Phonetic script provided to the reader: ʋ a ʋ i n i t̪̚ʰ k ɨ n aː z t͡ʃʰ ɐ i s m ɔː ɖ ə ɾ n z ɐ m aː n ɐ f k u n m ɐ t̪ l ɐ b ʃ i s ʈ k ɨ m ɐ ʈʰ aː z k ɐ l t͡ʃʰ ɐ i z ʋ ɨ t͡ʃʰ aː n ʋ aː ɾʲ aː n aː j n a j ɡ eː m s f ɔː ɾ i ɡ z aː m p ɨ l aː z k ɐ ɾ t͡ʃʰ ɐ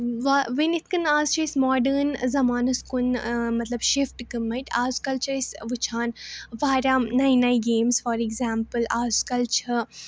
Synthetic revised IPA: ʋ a ʋ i n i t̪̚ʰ k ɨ n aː z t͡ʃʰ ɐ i s m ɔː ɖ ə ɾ n z ɐ m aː n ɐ s k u n m ɐ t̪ l ɐ b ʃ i f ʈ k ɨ m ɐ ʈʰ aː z k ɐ l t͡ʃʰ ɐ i s ʋ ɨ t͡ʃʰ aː n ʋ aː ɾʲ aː n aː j n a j ɡ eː m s f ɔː ɾ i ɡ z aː m p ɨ l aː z k ɐ l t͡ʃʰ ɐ